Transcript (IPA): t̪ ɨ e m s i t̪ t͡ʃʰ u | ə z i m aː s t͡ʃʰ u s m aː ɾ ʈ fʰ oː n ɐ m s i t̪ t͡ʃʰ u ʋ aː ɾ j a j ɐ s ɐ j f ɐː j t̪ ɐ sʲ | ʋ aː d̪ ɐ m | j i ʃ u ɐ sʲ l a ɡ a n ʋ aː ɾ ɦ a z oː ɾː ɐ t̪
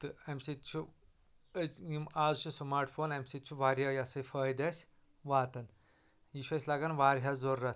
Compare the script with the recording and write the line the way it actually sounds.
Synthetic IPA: t̪ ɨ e m s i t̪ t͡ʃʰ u | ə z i m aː z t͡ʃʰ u s m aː ɾ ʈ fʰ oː n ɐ m s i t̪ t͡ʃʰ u ʋ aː ɾ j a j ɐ s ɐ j f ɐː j d̪ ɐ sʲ | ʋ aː t̪ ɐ n | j i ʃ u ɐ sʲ l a ɡ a n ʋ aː ɾ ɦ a z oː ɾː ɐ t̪